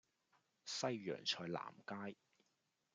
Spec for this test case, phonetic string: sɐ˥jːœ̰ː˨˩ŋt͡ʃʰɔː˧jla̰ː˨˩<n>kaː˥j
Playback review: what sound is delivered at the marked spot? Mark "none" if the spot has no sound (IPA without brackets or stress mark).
m